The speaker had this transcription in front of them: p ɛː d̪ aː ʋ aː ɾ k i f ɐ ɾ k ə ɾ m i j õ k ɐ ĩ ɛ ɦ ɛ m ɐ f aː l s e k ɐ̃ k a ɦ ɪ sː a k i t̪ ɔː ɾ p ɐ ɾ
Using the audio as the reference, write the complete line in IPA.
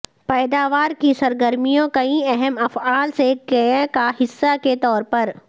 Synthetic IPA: p ɛː d̪ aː ʋ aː ɾ k i s ɐ ɾ ɡ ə ɾ m i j õ k ɐ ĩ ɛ ɦ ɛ m ɐ f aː l s e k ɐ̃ k a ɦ ɪ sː a k e t̪ ɔː ɾ p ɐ ɾ